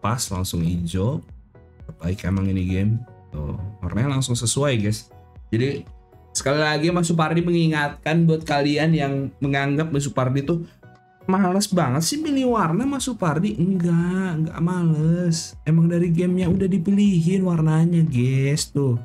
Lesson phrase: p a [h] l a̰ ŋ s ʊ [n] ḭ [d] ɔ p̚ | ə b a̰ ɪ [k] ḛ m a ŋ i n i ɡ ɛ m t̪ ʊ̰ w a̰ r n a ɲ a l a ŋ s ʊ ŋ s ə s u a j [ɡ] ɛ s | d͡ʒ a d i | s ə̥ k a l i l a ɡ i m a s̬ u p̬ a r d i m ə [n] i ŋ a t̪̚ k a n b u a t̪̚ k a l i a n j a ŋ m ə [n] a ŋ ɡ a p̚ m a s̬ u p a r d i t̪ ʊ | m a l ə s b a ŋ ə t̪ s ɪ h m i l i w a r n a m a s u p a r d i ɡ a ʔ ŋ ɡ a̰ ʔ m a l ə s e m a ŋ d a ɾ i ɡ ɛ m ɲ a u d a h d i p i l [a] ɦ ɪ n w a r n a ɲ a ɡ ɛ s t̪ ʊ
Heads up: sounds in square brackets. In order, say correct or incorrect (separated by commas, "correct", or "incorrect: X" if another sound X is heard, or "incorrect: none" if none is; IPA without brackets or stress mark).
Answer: incorrect: s, incorrect: ŋ, incorrect: d͡ʒ, correct, correct, incorrect: ŋ, incorrect: ŋ, incorrect: i